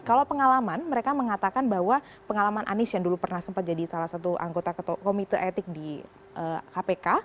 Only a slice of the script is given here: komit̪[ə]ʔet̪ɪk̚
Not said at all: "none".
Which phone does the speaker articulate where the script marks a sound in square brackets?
ə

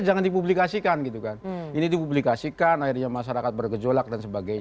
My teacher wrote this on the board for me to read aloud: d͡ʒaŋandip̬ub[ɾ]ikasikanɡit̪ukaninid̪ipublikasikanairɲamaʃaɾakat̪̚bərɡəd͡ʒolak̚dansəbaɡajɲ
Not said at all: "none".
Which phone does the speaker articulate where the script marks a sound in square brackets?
l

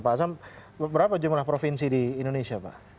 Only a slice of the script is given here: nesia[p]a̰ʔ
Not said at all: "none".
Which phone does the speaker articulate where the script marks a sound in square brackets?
p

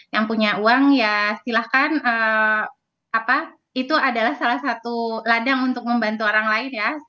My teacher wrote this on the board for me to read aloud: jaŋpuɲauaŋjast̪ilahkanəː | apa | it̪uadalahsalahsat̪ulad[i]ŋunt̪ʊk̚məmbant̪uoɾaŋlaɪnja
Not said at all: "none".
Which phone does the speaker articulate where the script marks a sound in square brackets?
a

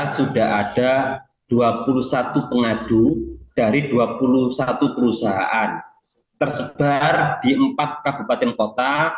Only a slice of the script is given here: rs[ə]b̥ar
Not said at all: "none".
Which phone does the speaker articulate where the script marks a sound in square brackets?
ə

